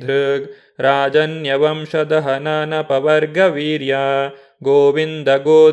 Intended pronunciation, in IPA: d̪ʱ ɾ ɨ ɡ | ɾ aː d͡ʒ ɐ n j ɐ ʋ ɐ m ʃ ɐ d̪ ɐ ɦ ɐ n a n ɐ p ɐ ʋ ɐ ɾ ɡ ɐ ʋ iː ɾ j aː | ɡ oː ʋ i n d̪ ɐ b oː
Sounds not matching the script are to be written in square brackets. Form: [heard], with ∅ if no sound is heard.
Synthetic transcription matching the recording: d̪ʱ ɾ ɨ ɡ | ɾ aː d͡ʒ ɐ n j ɐ ʋ ɐ m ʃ ɐ d̪ ɐ ɦ ɐ n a n ɐ p ɐ ʋ ɐ ɾ ɡ ɐ ʋ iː ɾ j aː | ɡ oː ʋ i n d̪ ɐ [ɡ] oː